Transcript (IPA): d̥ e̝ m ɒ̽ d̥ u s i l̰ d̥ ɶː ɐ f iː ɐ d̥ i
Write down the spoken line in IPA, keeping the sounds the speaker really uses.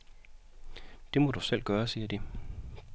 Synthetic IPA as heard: d̥ e̝ m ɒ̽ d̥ u s e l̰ ɡ̥ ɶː ɐ s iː ɐ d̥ i